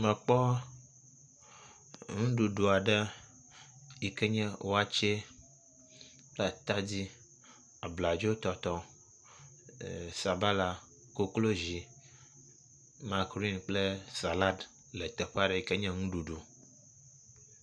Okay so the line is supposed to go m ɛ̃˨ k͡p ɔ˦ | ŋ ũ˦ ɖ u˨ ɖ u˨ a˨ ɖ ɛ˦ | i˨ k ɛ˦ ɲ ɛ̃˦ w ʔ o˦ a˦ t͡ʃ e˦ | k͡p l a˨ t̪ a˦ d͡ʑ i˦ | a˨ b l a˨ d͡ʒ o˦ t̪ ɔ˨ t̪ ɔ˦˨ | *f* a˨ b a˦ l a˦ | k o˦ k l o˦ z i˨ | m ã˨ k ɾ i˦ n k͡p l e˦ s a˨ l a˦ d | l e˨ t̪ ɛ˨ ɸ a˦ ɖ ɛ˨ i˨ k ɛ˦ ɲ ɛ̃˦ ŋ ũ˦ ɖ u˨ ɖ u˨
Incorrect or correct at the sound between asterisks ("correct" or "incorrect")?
incorrect